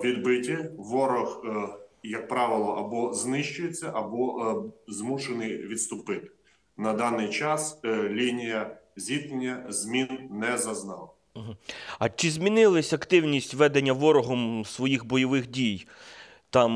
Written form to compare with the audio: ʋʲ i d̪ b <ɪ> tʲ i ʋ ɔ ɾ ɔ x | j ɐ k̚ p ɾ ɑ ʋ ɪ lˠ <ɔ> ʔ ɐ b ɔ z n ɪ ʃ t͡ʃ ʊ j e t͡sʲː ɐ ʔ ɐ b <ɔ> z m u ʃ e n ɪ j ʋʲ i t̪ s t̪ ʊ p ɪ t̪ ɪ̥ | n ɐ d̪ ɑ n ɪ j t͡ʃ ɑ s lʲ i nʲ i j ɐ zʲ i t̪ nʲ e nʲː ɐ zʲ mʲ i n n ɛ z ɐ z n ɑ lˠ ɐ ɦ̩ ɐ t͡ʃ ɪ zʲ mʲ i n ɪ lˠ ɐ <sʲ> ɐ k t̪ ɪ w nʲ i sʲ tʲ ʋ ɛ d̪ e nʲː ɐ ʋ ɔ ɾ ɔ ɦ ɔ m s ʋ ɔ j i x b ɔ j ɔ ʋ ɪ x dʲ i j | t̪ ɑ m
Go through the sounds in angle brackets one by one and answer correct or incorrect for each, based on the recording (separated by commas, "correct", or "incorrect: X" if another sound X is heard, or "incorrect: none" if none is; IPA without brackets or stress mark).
correct, correct, correct, correct